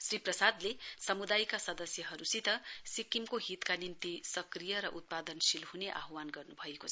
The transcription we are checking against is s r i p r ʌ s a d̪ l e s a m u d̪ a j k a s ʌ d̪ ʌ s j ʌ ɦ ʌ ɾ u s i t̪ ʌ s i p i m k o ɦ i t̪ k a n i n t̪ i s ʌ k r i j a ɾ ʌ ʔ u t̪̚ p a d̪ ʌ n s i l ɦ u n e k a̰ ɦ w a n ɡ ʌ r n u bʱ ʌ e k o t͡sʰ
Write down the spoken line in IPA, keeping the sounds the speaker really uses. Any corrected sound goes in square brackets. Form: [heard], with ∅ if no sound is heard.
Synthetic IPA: s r i p r ʌ s a d̪ l e s [ʌ] m u d̪ a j k a s ʌ d̪ ʌ s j ʌ ɦ ʌ ɾ u s i t̪ ʌ s i [k] i m k o ɦ i t̪ k a n i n t̪ i s ʌ k r i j [ʌ] ɾ ʌ ʔ u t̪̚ p a d̪ ʌ n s i l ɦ u n e [ʔ] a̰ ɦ w a n ɡ ʌ r n u bʱ ʌ e k o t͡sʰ